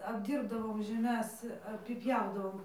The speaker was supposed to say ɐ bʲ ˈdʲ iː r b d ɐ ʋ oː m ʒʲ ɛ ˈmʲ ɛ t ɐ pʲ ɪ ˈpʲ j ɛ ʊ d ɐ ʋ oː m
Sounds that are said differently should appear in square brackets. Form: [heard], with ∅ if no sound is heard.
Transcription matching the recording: ɐ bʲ ˈdʲ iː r b d ɐ ʋ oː m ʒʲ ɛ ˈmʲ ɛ [s] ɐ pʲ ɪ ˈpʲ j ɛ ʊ d ɐ ʋ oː m